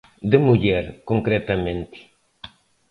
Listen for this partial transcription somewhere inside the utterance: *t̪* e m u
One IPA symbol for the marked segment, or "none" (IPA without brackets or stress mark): d̪